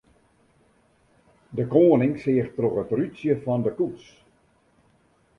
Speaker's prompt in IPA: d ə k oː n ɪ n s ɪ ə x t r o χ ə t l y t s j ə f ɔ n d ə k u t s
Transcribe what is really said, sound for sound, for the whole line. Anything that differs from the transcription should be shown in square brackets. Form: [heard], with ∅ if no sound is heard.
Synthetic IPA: d ə k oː n ɪ [ŋ] s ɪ ə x t r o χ ə t [r] y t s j ə f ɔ n d ə k u t s